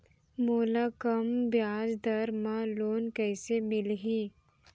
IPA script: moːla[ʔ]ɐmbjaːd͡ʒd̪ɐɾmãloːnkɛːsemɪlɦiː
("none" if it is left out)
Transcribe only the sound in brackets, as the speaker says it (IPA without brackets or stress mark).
k